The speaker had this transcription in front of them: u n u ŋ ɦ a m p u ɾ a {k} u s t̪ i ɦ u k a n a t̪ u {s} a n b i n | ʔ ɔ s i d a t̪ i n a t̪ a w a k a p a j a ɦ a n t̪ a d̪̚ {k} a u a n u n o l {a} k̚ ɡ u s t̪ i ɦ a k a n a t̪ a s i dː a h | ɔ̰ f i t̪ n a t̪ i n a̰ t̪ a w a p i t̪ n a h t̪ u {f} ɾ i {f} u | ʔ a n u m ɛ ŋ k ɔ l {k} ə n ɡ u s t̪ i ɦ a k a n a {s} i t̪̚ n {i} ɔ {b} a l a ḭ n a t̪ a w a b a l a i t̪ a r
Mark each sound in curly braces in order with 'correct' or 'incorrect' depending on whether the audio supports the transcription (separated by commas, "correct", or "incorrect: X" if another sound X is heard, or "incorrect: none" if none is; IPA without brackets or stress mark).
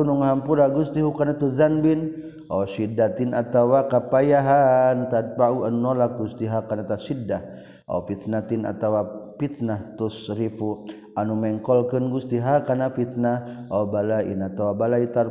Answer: incorrect: ɡ, incorrect: z, incorrect: p, correct, incorrect: s, correct, correct, incorrect: f, incorrect: a, correct